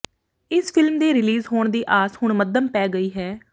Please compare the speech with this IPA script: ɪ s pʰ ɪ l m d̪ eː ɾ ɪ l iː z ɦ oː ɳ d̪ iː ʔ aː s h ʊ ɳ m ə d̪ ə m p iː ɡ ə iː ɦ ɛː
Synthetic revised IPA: ɪ s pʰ ɪ l m d̪ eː ɾ ɪ l iː z ɦ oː ɳ d̪ iː ʔ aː s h ʊ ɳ m ə d̪ ə m p ɛː ɡ ə iː ɦ ɛː